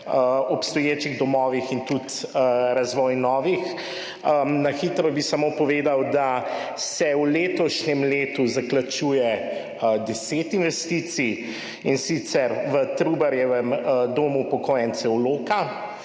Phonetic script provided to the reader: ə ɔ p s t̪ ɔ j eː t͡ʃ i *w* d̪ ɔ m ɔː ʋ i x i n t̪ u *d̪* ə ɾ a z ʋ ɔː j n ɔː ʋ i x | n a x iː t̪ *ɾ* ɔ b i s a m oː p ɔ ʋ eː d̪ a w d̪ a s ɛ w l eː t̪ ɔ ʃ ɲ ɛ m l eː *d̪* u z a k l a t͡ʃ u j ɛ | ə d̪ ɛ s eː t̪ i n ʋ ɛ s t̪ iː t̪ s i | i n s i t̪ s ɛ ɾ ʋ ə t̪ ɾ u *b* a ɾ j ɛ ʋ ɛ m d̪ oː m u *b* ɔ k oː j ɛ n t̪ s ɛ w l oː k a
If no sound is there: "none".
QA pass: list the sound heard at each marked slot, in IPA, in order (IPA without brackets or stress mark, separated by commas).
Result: ɣ, t̪, ɾ, t̪, b, p